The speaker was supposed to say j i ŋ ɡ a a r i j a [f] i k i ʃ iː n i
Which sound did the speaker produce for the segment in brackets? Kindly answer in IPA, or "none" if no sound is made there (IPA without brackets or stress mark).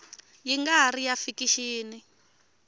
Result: f